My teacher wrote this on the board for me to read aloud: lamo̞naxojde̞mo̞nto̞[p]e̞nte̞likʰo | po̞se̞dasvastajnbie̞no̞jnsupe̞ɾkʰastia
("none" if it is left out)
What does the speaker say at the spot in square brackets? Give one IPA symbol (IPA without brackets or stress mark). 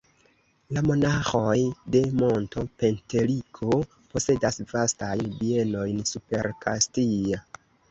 p